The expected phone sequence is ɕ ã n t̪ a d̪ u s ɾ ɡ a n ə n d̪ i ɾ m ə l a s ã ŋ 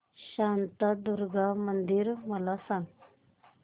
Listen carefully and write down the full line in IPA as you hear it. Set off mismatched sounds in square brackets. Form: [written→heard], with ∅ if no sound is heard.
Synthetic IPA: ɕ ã n t̪ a d̪ u [s→∅] ɾ ɡ a [n→m] ə n d̪ i ɾ m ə l a s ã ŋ